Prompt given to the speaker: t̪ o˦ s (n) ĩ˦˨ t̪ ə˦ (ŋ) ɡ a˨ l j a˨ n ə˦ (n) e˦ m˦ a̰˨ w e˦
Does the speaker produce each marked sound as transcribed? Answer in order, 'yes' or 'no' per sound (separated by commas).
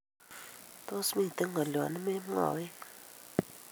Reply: no, yes, no